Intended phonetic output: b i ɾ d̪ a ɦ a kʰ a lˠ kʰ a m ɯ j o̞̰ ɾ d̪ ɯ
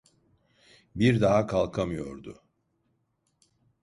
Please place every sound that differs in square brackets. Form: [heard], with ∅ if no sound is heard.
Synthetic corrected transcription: b i ɾ d̪ a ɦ a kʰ a lˠ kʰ a m ɯ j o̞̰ ɾ d̪ [ʊ]